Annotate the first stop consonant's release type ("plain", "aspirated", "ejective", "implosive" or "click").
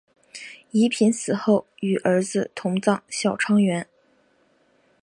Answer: aspirated